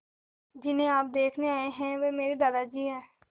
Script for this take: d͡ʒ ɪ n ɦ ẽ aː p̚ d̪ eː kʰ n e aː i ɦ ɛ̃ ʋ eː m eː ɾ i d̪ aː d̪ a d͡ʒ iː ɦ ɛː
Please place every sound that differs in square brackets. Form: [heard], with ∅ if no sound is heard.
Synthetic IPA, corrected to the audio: d͡ʒ ɪ n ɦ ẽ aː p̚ d̪ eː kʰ n e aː [e] ɦ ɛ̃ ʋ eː m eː ɾ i d̪ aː d̪ a d͡ʒ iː ɦ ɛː